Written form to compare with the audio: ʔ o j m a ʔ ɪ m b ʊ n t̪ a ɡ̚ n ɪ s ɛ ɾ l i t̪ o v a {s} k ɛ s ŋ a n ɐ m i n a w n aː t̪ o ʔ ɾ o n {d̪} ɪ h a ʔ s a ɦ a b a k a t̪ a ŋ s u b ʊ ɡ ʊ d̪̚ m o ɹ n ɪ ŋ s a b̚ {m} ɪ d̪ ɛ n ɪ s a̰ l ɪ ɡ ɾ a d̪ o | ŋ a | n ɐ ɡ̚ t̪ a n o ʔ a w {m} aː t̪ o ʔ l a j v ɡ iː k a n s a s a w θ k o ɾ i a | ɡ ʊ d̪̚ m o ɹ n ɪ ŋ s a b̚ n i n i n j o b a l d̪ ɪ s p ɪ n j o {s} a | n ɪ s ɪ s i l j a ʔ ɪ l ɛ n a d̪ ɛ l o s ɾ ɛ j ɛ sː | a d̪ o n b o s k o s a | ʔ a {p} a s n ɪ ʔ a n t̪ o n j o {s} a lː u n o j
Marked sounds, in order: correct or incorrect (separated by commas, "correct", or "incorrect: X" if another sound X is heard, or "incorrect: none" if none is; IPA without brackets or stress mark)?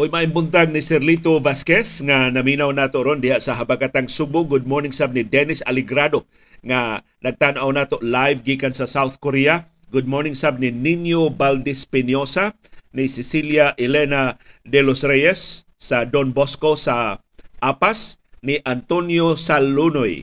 correct, correct, incorrect: n, incorrect: n, correct, correct, correct